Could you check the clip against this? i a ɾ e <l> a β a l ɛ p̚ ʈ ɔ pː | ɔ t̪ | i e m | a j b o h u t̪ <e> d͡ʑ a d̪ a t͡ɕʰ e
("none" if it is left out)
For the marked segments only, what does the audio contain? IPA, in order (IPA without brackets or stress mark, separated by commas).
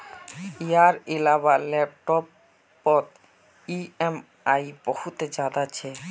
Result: l, e